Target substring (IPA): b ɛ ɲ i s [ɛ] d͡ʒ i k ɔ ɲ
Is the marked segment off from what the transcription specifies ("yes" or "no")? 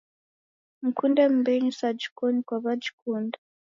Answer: yes